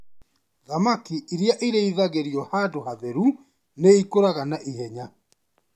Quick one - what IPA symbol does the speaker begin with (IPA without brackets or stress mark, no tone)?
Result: ð